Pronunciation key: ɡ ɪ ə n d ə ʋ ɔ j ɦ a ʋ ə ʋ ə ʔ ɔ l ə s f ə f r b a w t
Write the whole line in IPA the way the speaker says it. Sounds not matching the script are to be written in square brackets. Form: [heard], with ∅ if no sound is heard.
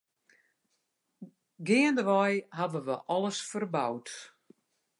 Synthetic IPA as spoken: ɡ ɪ ə n d ə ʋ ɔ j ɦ a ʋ ə ʋ ə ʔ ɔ l ə s f ə [∅] r b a w t